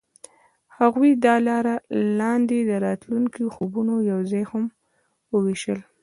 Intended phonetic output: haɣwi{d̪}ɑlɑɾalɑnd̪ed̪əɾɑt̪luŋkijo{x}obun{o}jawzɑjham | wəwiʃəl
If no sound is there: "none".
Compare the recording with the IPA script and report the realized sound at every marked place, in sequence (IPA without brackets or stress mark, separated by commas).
d̪, x, o